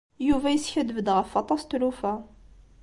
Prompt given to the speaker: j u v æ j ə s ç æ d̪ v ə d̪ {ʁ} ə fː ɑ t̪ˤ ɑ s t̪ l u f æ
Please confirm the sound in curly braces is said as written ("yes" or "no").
yes